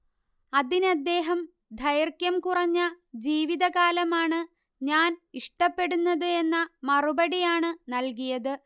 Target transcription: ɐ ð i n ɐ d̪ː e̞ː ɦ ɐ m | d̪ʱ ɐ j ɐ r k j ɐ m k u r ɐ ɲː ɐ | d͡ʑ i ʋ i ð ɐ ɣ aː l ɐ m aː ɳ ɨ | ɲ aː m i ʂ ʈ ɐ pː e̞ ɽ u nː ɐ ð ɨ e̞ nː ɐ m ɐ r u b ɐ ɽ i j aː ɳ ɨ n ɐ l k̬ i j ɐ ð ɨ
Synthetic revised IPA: ɐ ð i n ɐ d̪ː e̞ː ɦ ɐ m | d̪ʱ ɐ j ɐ r k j ɐ m k u r ɐ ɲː ɐ | d͡ʑ iː ʋ i ð ɐ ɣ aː l ɐ m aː ɳ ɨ | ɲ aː n i ʂ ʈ ɐ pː e̞ ɽ u nː ɐ ð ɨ e̞ nː ɐ m ɐ r u b ɐ ɽ i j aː ɳ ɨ n ɐ l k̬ i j ɐ ð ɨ